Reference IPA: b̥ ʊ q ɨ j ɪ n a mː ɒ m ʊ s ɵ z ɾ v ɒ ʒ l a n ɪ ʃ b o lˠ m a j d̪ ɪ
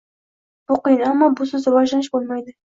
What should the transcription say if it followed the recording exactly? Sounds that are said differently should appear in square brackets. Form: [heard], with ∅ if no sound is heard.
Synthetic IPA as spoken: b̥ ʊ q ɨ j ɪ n a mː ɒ [b] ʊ s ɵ z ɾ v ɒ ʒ l a n ɪ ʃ b o lˠ m a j d̪ ɪ